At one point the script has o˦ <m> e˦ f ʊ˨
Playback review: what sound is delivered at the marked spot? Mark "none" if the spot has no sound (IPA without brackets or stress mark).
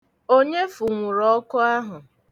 ɲ